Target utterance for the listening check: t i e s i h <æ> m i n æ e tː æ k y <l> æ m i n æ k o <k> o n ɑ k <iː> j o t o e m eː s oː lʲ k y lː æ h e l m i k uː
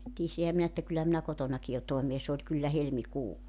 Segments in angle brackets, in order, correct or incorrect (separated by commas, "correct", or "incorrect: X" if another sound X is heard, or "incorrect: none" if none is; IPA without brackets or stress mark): correct, incorrect: lː, incorrect: t, incorrect: i